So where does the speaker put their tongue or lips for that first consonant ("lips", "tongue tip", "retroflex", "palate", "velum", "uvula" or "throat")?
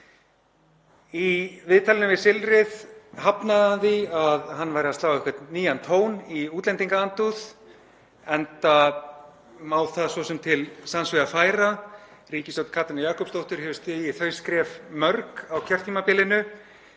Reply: lips